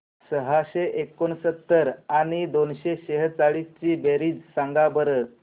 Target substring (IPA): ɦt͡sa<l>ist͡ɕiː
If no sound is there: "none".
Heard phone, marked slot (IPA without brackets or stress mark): ɭ